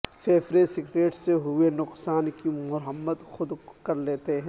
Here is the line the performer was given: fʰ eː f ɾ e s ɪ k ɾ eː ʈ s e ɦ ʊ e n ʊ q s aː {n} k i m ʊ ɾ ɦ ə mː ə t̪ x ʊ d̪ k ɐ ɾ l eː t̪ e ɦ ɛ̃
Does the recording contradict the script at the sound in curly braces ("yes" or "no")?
no